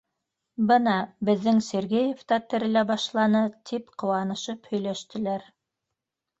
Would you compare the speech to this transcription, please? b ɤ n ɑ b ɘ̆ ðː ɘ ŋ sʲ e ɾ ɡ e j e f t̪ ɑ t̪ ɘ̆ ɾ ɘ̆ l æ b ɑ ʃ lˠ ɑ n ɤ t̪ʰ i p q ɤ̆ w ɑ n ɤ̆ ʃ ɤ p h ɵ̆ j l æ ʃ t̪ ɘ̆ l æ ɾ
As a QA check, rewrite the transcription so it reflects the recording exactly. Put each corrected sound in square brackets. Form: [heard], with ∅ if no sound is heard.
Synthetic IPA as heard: b ɤ n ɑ b ɘ̆ ðː ɘ ŋ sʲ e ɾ ɡ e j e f t̪ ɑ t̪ ɘ̆ ɾ ɘ̆ l æ b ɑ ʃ lˠ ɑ n ɤ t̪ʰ i p q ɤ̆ w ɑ n ɤ̆ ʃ ɤ p h ɵ̆ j l æ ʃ t̪ ɘ̆ l æ ɾ